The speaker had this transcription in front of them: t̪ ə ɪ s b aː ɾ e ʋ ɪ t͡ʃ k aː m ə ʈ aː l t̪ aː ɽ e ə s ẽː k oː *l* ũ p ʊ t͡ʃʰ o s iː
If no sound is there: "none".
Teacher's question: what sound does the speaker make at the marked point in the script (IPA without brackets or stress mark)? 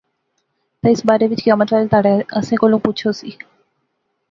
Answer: l